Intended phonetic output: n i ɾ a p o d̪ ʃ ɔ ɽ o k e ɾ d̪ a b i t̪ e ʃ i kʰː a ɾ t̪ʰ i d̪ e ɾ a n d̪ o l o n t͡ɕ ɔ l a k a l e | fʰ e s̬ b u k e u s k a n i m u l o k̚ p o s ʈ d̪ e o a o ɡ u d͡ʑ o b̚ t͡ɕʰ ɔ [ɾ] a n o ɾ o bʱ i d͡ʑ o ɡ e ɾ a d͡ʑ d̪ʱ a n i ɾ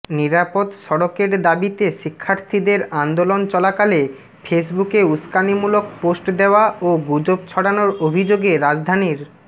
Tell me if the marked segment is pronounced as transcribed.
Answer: no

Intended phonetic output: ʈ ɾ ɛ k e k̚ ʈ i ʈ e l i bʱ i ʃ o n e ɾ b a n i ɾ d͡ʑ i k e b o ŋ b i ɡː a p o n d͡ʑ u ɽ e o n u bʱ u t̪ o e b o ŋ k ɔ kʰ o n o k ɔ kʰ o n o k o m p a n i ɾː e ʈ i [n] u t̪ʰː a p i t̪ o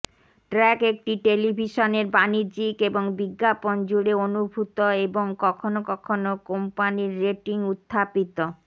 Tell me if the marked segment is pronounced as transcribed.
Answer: no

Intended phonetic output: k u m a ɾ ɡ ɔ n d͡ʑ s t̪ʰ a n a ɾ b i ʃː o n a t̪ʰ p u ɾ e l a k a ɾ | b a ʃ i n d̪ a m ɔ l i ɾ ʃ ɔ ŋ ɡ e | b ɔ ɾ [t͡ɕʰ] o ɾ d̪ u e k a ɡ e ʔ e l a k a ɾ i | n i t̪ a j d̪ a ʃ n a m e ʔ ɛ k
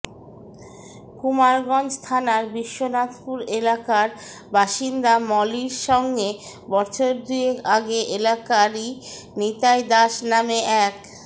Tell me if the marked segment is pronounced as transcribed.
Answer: yes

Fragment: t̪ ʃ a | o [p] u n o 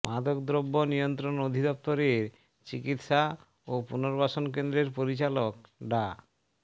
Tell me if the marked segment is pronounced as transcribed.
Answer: yes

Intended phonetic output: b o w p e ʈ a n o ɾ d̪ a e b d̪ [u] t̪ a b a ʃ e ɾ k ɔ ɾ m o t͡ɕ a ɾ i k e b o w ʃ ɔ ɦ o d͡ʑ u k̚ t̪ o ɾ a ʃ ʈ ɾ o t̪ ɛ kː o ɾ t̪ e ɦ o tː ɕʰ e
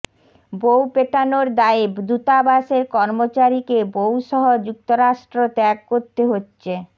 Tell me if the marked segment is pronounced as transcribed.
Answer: yes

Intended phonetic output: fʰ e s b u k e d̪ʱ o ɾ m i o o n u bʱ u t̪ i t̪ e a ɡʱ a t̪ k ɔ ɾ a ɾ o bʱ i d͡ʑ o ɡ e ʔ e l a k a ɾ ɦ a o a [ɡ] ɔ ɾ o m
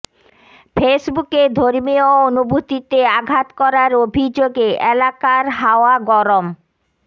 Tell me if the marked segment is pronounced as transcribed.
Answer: yes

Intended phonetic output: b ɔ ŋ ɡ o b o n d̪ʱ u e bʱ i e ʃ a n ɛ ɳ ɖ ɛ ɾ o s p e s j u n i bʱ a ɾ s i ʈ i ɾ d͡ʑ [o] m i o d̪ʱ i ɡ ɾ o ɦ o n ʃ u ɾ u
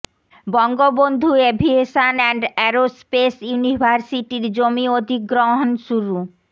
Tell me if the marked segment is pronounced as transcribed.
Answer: yes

